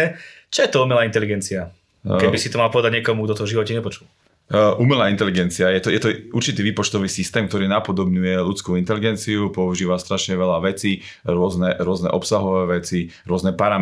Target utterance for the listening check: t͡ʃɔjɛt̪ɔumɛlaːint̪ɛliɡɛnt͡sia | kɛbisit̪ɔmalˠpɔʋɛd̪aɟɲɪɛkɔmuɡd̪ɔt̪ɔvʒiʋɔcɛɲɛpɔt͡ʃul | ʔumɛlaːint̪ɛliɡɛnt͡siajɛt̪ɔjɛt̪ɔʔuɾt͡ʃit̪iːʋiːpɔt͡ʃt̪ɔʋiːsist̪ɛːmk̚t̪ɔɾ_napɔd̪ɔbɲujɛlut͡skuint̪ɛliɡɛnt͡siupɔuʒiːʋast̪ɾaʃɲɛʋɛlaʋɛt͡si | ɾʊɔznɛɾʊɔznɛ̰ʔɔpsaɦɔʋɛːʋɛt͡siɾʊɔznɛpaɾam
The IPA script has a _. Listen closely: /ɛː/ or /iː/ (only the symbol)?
iː